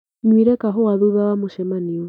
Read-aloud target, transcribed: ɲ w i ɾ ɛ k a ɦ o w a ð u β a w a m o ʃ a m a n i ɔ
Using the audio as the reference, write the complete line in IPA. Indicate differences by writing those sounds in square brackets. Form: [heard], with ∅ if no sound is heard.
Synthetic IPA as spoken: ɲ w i ɾ ɛ k a ɦ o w a ð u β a w a m o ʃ [ɛ] m a n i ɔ